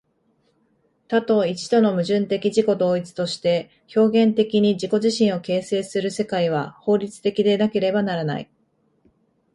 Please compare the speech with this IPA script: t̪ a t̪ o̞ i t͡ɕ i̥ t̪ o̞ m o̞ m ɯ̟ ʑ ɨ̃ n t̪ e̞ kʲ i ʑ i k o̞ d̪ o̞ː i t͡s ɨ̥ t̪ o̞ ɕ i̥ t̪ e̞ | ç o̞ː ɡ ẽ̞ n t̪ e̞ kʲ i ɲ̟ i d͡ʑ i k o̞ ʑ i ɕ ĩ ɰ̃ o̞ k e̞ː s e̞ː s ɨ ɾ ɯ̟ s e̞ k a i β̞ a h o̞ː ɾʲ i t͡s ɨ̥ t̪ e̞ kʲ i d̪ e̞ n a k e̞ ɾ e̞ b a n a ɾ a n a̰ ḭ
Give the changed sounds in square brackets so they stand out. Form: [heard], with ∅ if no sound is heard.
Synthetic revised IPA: t̪ a t̪ o̞ i t͡ɕ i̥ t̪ o̞ [n] o̞ m ɯ̟ ʑ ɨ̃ n t̪ e̞ kʲ i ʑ i k o̞ d̪ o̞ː i t͡s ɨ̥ t̪ o̞ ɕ i̥ t̪ e̞ | ç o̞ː ɡ ẽ̞ n t̪ e̞ kʲ i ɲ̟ i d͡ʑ i k o̞ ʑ i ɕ ĩ ɰ̃ o̞ k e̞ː s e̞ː s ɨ ɾ ɯ̟ s e̞ k a i β̞ a h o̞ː ɾʲ i t͡s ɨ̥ t̪ e̞ kʲ i d̪ e̞ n a k e̞ ɾ e̞ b a n a ɾ a n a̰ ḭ